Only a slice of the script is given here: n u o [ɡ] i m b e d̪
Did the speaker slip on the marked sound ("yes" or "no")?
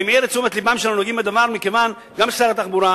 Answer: no